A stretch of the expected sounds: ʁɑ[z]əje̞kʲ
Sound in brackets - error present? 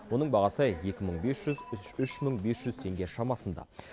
yes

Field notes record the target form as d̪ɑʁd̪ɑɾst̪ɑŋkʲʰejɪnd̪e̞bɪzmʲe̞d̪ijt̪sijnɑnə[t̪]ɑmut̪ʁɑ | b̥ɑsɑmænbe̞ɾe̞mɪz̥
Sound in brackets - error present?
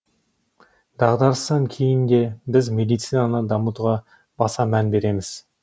yes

